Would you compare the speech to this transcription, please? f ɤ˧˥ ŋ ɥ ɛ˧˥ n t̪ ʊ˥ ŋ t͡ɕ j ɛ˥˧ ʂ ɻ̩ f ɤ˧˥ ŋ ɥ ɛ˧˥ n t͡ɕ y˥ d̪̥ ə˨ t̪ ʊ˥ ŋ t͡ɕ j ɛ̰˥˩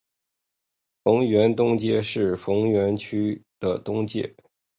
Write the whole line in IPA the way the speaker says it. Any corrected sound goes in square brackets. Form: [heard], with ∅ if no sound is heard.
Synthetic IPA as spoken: f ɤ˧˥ ŋ ɥ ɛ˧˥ n t̪ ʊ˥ ŋ t͡ɕ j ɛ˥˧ ʂ ɻ̩ f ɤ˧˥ ŋ ɥ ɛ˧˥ n [t͡ɕʰ] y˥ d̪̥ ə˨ t̪ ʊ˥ ŋ t͡ɕ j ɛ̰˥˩